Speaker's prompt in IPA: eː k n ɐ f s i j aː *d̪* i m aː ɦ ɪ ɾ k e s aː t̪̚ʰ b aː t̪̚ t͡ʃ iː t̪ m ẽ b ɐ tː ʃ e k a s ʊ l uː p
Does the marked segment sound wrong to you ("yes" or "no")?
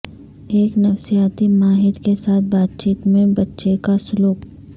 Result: yes